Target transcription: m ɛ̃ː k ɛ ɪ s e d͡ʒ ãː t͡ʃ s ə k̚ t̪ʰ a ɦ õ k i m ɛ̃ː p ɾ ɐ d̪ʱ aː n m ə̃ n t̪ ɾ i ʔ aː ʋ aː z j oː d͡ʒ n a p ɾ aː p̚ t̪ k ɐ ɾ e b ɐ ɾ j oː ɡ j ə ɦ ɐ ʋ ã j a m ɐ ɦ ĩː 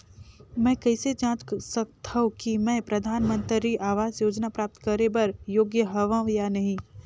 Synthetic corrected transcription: m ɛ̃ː k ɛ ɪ s e d͡ʒ ãː t͡ʃ s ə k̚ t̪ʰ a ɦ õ k i m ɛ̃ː p ɾ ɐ d̪ʱ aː n m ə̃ n t̪ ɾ i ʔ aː ʋ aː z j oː d͡ʒ n a p ɾ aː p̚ t̪ k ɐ ɾ e b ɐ ɾ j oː ɡ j ə ɦ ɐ ʋ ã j a n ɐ ɦ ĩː